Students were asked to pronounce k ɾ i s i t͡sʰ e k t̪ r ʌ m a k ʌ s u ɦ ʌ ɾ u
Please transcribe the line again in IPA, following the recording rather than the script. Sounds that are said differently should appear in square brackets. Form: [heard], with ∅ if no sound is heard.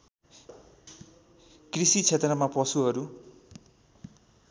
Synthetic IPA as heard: k [r] i s i t͡sʰ e [∅] t̪ r ʌ m a [p] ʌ s u ɦ ʌ ɾ u